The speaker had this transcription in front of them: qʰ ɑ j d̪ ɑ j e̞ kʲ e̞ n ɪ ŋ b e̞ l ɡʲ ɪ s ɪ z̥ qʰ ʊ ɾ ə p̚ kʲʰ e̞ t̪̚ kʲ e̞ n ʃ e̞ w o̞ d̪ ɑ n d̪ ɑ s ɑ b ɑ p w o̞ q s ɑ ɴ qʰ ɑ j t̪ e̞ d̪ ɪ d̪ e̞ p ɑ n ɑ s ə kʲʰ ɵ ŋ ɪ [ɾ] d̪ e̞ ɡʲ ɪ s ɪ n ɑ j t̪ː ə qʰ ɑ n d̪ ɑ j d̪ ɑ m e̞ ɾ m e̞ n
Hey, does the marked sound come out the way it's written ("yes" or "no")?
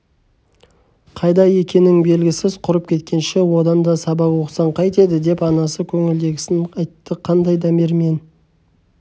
no